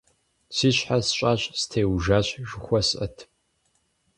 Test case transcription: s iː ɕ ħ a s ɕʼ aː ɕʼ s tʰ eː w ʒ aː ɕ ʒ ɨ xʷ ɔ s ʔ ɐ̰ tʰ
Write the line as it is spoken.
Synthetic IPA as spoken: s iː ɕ ħ a s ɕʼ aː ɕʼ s tʰ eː w ʒ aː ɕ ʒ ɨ xʷ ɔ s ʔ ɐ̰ tʰ